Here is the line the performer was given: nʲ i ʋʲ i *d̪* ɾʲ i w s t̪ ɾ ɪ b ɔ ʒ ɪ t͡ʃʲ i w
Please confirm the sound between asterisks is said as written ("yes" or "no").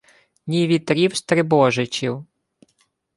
no